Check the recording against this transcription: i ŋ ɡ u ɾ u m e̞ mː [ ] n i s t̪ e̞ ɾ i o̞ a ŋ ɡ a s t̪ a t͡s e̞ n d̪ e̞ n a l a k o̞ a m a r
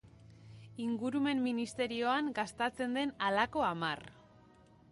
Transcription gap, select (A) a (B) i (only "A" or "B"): B